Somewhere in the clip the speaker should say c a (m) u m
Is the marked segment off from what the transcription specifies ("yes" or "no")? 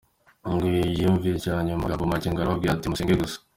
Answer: yes